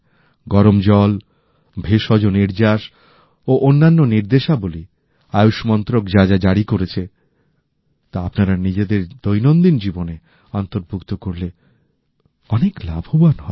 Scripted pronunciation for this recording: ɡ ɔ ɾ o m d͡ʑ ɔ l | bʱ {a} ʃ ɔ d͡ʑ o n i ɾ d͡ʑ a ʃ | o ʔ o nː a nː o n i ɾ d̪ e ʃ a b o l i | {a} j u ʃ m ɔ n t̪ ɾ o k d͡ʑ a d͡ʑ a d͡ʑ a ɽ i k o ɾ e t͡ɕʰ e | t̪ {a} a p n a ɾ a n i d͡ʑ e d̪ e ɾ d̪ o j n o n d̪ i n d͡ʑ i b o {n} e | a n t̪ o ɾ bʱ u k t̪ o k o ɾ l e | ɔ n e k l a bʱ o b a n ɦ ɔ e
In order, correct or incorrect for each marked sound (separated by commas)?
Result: incorrect, correct, correct, correct